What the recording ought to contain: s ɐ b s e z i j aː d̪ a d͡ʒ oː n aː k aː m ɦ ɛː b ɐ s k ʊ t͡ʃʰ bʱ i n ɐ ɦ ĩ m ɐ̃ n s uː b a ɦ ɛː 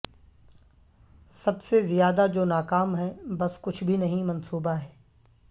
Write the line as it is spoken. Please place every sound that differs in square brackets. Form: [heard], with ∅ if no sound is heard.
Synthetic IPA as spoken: s ɐ b s e z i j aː d̪ a d͡ʒ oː n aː k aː m ɦ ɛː b ɐ s k ʊ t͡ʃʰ bʱ i n ɐ ɦ ĩ m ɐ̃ n s uː b a ɦ ɛː